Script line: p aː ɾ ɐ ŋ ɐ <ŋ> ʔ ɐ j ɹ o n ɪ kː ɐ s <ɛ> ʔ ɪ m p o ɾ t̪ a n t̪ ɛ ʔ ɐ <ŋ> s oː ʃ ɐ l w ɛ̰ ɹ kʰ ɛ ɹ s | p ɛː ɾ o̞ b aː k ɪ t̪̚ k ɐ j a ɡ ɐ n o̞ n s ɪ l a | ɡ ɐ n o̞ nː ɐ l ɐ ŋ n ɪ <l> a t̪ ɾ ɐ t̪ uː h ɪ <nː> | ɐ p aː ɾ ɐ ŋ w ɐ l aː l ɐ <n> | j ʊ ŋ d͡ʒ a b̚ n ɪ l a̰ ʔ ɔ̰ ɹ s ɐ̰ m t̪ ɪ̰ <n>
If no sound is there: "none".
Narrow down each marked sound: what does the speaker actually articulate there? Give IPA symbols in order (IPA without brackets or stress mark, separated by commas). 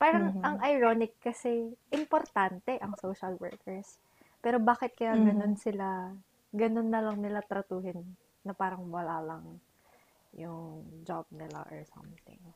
ŋ, ɛ, ŋ, l, nː, ŋ, ŋ